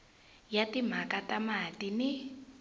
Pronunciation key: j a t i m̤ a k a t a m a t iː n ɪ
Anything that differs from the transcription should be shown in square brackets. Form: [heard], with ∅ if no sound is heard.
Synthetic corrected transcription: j a t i m̤ a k a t a m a t [i] n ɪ